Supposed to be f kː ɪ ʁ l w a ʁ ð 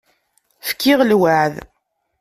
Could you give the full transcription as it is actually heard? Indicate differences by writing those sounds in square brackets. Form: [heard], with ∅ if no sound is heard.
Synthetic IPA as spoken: f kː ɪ ʁ l w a [ʕ] ð